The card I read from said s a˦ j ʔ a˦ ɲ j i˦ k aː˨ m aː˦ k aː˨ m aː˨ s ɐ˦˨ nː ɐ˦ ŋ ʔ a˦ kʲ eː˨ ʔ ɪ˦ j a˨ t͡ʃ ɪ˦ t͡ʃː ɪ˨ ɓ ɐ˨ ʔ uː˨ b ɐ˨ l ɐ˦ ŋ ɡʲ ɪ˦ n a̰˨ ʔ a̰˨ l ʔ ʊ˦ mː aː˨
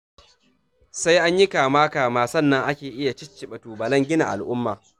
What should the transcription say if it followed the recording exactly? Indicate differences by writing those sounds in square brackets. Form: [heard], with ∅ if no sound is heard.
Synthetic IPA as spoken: s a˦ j ʔ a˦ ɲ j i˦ k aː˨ m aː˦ k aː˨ m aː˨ s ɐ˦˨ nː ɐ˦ ŋ ʔ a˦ kʲ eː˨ ʔ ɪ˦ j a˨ t͡ʃ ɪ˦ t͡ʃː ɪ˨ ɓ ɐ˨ [t] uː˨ b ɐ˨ l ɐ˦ ŋ ɡʲ ɪ˦ n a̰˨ ʔ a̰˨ l ʔ ʊ˦ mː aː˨